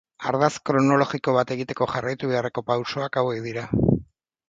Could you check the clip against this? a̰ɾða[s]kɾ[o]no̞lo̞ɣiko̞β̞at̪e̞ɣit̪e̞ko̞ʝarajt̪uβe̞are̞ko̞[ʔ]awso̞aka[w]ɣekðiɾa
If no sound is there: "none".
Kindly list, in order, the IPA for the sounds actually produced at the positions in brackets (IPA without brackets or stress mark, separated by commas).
s, o, p, w